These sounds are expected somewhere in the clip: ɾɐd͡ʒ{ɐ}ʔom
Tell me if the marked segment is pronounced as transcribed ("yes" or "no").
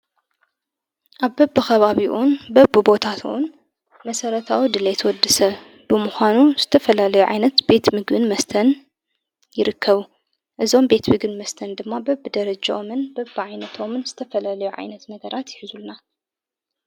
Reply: no